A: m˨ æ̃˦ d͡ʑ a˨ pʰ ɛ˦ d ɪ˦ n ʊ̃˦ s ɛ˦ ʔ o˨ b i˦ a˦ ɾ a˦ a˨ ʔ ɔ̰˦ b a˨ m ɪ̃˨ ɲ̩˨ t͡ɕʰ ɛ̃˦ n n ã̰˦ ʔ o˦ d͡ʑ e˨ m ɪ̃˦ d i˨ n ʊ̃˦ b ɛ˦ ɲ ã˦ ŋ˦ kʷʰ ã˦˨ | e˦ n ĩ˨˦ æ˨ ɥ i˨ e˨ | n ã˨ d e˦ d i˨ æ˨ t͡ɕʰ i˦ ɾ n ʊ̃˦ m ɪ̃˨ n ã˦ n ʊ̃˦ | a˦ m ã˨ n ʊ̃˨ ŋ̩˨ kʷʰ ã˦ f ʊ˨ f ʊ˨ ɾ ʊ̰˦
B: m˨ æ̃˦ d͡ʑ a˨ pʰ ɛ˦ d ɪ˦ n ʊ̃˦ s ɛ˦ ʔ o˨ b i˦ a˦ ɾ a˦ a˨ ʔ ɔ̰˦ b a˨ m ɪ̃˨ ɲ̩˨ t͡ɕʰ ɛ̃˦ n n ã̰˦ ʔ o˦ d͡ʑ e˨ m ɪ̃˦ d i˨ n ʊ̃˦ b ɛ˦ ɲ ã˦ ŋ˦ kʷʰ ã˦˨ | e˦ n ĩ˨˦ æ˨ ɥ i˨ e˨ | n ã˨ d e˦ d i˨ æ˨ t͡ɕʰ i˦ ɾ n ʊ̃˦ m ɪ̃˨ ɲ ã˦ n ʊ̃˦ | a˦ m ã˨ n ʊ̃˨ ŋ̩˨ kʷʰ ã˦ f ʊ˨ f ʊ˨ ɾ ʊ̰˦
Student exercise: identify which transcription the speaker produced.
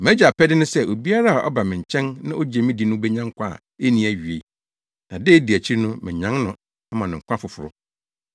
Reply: B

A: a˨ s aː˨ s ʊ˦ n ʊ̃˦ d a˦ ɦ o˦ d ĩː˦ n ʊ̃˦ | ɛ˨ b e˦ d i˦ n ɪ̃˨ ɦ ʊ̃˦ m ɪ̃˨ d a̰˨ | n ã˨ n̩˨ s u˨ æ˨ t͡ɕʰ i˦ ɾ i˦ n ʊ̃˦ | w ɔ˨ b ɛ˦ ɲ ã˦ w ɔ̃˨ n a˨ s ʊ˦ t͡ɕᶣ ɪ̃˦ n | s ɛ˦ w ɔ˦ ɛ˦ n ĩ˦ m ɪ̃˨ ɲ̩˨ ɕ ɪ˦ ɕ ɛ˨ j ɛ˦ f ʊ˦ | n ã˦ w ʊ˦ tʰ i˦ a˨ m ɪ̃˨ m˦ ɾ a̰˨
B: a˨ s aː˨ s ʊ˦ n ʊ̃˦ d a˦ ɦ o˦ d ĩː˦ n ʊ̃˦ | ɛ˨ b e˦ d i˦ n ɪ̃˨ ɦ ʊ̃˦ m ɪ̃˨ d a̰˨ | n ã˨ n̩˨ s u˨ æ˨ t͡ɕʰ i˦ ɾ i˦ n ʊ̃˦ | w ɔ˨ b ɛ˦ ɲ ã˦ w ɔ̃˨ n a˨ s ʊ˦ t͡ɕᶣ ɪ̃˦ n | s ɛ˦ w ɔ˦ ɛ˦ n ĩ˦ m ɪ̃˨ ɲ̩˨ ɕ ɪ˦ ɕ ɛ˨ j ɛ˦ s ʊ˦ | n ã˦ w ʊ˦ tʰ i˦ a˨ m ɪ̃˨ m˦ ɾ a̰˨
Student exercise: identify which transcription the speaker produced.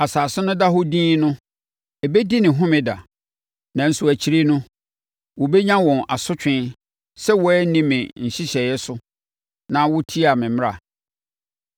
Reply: B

